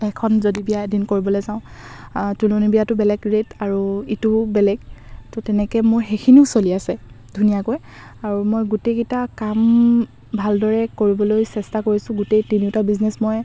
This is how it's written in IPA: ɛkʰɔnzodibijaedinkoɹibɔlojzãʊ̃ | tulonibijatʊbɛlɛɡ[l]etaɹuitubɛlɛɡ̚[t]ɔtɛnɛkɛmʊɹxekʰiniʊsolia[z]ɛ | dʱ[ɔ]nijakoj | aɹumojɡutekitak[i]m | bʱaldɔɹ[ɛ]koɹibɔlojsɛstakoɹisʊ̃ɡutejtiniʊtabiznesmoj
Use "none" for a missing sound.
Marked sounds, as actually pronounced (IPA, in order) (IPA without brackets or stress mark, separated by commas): ɹ, t, s, u, a, ɛ